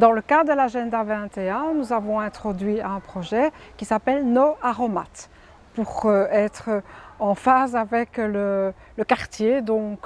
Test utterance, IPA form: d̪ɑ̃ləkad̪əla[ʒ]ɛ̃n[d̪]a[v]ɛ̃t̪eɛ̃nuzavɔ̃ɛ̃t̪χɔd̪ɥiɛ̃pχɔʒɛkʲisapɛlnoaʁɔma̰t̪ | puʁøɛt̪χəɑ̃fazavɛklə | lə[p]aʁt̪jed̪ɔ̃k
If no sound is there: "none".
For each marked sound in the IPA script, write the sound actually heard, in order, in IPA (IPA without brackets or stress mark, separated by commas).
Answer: ʒ, d̪, v, k